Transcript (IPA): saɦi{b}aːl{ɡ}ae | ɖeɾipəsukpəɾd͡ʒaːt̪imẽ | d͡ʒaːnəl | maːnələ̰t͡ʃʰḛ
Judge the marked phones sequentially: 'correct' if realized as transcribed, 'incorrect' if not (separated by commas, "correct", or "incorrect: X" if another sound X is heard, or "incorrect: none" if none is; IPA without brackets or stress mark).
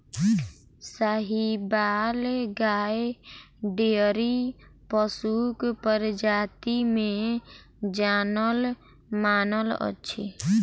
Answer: correct, correct